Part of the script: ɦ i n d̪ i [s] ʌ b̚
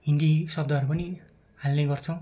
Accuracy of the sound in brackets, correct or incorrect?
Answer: correct